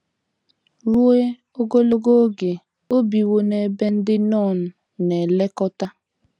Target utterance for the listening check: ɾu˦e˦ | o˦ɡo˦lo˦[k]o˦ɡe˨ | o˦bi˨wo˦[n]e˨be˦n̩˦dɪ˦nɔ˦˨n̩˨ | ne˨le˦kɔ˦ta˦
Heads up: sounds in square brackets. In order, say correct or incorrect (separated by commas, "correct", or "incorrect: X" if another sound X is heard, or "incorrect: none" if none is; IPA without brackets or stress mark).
incorrect: ɡ, correct